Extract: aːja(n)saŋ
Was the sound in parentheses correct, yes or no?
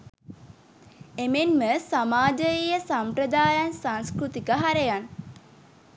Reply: yes